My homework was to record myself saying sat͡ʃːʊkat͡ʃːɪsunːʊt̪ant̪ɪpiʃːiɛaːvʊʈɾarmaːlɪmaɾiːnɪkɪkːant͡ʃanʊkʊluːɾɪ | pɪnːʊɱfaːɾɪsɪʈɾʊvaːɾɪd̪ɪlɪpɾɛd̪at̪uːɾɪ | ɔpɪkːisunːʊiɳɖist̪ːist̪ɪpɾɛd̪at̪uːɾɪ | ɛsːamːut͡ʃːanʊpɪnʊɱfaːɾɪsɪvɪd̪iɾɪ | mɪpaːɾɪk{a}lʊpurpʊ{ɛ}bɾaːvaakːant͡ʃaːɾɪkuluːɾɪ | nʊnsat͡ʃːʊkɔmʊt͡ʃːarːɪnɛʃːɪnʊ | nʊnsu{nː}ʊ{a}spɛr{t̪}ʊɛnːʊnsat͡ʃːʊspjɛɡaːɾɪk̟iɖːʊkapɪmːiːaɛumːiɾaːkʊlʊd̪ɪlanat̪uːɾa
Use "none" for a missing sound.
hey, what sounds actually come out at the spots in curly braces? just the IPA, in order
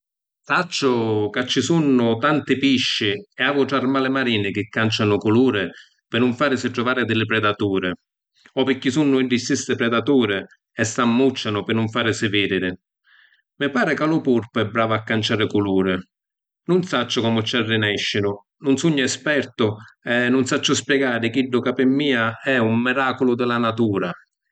a, ɛ, ɲː, ɛ, t̪

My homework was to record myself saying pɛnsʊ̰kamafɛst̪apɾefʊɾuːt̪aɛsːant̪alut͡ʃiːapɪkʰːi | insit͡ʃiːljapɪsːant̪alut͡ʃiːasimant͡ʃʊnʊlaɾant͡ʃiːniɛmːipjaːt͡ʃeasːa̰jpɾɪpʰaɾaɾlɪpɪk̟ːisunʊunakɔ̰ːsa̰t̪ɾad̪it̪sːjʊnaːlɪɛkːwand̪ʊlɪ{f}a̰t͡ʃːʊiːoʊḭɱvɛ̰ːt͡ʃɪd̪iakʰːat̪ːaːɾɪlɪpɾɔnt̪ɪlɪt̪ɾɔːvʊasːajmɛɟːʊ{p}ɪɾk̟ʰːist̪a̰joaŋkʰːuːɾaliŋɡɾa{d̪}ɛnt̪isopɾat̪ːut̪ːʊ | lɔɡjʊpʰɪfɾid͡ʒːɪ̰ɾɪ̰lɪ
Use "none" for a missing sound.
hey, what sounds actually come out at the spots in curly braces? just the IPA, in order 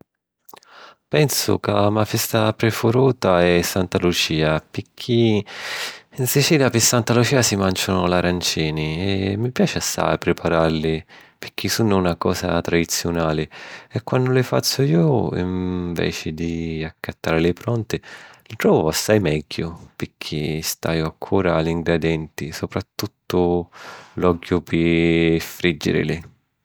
f, p, d̪

